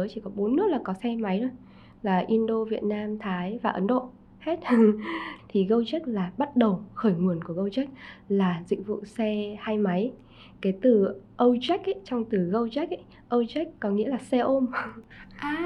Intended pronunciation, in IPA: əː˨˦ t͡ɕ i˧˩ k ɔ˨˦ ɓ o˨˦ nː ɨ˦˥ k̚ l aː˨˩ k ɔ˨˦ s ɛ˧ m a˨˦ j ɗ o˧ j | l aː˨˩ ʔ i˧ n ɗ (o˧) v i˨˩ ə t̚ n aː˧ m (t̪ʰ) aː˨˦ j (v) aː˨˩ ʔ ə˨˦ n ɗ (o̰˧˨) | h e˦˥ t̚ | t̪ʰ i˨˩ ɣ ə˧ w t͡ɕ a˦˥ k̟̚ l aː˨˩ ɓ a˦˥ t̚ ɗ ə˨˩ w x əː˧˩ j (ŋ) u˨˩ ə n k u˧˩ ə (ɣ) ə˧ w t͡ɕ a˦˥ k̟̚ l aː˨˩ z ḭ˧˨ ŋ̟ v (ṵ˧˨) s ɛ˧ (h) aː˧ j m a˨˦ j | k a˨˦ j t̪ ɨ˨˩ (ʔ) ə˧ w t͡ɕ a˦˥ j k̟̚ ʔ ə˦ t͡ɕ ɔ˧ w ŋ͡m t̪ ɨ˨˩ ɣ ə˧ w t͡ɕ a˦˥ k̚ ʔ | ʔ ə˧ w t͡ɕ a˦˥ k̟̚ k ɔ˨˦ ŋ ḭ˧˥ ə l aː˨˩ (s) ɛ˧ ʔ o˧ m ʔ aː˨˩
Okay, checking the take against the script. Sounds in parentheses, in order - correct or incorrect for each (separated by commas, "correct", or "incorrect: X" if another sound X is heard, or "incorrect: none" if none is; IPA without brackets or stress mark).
correct, correct, correct, correct, correct, correct, correct, correct, correct, correct